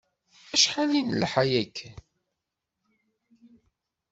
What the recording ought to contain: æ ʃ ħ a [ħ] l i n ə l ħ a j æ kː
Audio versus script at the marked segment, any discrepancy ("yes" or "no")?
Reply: yes